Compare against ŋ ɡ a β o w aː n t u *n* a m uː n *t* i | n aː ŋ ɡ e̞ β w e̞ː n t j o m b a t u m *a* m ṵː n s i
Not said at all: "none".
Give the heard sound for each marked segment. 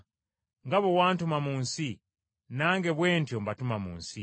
m, s, a

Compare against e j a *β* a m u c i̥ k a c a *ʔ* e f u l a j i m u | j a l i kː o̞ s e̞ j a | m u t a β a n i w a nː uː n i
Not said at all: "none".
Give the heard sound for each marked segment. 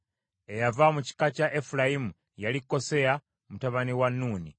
v, ʔ

